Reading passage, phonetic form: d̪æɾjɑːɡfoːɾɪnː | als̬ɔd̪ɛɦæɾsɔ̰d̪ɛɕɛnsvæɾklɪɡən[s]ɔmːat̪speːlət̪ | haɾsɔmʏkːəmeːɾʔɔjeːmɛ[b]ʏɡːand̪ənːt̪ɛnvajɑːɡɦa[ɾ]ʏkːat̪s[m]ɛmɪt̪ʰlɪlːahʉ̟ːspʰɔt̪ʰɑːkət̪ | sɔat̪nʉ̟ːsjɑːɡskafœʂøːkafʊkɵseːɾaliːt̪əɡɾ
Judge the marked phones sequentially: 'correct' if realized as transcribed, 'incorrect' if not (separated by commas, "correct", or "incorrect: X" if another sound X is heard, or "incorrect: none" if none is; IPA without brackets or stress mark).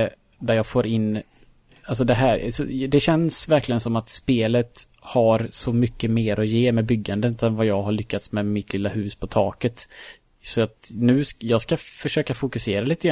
correct, correct, incorrect: ɭ, correct